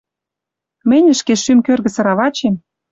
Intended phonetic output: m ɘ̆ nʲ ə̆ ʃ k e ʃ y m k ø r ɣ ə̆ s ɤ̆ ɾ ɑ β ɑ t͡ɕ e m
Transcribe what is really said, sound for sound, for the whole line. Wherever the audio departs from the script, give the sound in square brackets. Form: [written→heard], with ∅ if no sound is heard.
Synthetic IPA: m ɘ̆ nʲ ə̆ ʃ k e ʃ y m k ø r ɣ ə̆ s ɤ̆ ɾ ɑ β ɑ t͡ɕ e m